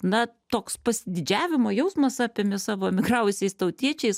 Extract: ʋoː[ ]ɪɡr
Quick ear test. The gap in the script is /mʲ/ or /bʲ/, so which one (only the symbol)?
mʲ